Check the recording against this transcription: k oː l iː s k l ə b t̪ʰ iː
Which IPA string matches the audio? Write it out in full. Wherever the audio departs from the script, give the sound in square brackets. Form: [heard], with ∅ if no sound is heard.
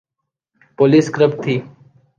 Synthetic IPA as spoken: [p] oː l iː s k [ɾ] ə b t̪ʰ iː